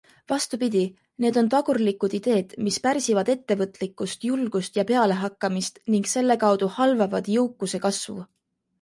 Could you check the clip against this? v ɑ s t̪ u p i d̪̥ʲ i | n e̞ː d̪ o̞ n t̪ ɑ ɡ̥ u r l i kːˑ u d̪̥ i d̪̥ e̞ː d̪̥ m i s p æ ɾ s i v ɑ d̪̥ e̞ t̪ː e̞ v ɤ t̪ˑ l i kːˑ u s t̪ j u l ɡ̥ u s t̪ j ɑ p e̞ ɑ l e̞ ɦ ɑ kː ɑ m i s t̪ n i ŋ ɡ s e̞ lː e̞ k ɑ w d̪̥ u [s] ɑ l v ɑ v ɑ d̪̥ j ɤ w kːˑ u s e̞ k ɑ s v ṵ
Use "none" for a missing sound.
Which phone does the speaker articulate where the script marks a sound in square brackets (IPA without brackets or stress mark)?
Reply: h